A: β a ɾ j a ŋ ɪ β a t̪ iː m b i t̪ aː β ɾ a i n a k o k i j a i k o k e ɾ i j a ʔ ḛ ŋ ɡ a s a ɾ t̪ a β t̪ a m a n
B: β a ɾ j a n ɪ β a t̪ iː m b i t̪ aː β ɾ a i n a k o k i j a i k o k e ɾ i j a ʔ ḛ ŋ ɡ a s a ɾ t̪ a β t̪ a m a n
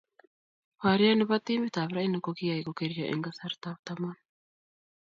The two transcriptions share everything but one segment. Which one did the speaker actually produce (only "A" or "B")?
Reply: B